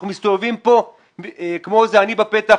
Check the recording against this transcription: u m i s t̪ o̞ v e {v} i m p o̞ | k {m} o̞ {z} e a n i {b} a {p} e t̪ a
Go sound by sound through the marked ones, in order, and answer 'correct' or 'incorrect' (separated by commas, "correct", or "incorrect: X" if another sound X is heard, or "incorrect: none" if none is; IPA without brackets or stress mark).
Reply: correct, correct, correct, correct, correct